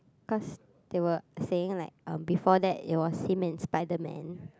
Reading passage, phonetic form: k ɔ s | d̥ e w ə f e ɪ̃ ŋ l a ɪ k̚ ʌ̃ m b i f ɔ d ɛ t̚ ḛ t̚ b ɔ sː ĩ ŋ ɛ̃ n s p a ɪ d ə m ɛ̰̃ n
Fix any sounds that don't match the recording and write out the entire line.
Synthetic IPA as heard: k ɔ s | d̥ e w ə s e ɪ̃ ŋ l a ɪ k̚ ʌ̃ m b i f ɔ d ɛ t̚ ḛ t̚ w ɔ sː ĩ m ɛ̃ n s p a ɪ d ə m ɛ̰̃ n

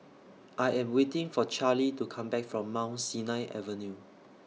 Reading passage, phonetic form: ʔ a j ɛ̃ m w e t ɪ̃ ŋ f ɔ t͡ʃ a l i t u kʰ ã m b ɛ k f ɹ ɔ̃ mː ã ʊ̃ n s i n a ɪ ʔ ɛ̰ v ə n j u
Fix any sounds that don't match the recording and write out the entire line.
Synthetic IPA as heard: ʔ a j ɛ̃ m w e t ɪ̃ ŋ f ɔ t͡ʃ a l i t u kʰ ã m b ɛ k f ɹ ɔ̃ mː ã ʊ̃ n s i n a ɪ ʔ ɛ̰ v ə n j u

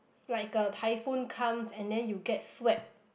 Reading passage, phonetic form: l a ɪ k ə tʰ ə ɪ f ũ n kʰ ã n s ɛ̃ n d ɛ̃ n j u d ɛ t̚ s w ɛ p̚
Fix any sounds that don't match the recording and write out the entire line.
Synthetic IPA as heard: l a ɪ k ə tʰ a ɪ f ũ n kʰ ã m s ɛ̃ n d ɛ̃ n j u ɡ ɛ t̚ s w ɛ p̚

